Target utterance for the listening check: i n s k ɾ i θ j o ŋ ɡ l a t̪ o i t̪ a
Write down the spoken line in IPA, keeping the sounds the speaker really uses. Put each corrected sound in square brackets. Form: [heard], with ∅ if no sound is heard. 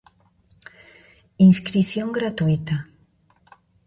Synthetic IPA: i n s k ɾ i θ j o ŋ ɡ [ɾ] a t̪ [u] i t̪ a